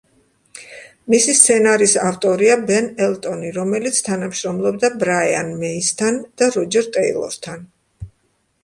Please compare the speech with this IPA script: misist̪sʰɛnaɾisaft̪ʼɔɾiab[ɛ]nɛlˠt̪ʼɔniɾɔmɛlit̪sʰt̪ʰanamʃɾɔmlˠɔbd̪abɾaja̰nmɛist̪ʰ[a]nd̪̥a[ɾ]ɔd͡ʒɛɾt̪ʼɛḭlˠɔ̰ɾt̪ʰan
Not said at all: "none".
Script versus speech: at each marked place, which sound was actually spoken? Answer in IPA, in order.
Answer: ɛ, a, ɾ

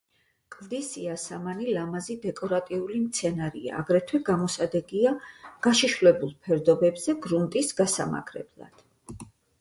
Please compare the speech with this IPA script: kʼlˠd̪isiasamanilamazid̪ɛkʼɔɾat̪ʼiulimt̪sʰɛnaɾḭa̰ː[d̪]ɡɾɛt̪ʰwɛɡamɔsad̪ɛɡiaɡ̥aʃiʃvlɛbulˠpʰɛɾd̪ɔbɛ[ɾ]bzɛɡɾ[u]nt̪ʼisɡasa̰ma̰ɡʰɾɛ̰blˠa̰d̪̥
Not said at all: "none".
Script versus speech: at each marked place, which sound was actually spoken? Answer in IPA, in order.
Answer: none, none, u

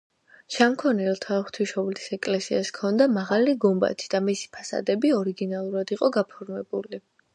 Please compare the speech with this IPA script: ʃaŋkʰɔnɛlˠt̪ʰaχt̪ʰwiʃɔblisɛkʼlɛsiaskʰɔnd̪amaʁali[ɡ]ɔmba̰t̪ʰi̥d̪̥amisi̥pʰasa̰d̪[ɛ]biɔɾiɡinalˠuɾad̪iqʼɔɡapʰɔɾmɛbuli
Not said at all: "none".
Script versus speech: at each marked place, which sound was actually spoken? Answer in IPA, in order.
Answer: ɡ, ɛ

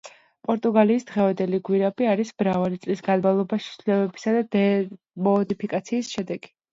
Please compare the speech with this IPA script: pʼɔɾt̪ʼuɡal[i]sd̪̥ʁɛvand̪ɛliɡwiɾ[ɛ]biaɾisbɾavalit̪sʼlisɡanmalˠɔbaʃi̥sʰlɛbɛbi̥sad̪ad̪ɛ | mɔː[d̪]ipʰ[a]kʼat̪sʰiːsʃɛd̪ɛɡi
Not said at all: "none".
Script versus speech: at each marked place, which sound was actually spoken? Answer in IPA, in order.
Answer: iː, a, d̪, i

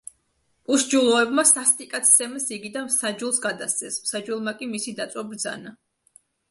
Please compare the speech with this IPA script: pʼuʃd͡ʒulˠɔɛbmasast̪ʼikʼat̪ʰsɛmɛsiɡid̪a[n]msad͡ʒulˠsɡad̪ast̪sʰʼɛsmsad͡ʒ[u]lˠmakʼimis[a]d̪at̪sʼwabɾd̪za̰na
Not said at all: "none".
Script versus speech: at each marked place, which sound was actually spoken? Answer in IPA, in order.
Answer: n, u, i

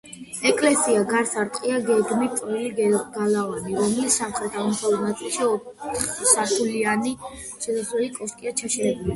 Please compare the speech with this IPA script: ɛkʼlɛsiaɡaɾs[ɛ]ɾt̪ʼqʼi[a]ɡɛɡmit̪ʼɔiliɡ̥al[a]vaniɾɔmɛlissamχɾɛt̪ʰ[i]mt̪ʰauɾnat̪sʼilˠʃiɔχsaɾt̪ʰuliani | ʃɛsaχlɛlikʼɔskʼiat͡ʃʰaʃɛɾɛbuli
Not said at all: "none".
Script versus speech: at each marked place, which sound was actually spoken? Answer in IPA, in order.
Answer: a, a, a, a

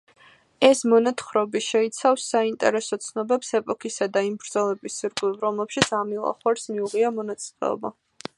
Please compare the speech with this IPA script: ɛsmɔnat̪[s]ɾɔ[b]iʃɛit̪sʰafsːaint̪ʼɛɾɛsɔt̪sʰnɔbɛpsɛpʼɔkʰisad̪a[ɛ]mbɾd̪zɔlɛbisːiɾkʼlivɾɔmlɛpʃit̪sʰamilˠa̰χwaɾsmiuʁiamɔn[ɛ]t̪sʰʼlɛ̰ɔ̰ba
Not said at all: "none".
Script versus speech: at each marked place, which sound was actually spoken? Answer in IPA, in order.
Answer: χ, b, i, a

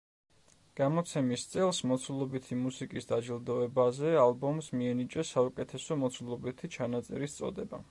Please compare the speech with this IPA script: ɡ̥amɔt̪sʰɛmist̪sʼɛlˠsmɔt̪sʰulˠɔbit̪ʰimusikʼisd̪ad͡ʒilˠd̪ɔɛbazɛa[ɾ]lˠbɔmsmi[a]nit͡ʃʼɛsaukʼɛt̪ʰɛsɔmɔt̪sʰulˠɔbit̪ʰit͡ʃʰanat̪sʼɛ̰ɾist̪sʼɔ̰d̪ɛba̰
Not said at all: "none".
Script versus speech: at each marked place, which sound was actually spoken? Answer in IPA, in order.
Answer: none, ɛ

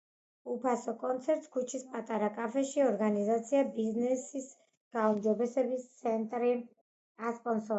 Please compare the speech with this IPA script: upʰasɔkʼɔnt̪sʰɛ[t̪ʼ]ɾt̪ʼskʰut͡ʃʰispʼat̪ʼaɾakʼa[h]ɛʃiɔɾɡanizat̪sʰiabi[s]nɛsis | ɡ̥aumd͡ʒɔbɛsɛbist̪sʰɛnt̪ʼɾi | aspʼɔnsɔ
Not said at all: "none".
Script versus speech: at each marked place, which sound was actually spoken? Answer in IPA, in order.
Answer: none, f, z

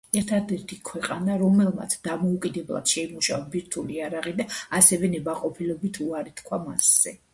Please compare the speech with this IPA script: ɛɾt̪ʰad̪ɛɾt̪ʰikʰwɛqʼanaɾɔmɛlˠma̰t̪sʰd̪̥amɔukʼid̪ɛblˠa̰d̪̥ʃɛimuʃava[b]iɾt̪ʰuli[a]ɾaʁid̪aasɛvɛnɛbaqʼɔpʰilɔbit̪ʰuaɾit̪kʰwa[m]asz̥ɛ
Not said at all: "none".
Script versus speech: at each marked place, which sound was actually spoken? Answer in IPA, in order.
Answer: b, a, m

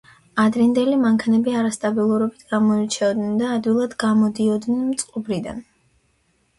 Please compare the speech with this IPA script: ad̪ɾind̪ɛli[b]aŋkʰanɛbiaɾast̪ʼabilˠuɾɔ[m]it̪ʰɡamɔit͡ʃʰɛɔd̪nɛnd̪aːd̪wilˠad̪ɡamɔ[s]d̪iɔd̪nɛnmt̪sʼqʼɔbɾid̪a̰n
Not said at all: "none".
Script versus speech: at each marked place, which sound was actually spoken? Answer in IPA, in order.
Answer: m, b, none

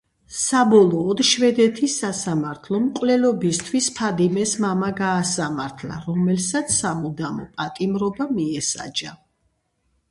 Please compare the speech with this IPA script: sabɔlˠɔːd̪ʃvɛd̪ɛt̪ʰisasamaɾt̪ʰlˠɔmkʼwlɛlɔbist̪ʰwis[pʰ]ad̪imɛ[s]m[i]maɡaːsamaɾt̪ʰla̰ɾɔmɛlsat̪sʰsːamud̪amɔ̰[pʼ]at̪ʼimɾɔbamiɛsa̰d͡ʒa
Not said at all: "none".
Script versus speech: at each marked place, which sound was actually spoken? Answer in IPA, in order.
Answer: pʰ, s, a, pʼ

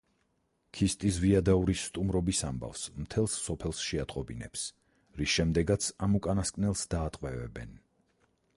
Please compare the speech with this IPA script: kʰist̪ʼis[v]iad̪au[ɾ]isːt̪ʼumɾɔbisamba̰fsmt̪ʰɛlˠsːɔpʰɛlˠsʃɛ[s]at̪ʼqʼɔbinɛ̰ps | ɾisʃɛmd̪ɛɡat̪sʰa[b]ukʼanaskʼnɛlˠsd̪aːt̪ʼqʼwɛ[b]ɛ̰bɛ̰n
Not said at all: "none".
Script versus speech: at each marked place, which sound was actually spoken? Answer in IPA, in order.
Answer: v, ɾ, none, m, v

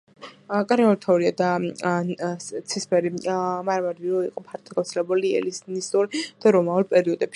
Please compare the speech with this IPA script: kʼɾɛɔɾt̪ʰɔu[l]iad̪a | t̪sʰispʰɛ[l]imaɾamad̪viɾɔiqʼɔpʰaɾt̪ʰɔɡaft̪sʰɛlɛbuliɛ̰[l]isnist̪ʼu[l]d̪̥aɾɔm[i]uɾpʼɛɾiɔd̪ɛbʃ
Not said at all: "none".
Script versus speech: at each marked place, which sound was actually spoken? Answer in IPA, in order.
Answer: ɾ, ɾ, l, ɾ, a

